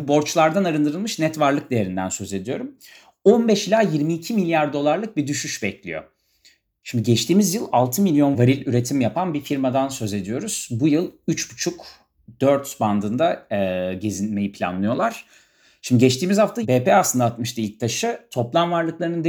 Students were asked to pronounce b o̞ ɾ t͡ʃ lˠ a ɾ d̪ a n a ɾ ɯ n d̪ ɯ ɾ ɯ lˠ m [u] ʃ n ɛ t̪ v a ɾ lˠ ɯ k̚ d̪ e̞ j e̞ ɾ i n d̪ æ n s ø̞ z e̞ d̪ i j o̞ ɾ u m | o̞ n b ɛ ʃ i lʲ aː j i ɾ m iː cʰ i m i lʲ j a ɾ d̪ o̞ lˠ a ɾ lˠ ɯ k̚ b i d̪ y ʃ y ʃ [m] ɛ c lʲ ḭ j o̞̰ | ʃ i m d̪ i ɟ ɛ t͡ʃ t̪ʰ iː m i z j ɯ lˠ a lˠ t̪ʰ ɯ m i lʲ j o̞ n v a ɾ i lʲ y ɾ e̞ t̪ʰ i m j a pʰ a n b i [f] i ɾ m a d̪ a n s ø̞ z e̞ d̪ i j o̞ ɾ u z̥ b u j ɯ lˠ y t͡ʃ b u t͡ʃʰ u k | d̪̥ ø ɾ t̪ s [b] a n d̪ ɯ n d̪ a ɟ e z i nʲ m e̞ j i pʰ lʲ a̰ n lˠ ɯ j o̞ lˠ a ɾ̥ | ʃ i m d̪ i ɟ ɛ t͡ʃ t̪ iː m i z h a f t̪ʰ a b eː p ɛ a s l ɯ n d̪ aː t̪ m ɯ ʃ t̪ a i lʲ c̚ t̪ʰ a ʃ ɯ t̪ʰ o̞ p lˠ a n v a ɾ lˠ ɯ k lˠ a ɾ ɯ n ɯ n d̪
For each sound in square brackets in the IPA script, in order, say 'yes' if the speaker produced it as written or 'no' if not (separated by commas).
no, no, yes, yes